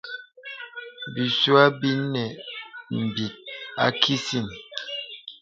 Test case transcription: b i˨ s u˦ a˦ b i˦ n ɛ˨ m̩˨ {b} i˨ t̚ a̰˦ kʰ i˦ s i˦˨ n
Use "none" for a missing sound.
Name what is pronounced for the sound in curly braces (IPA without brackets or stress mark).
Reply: b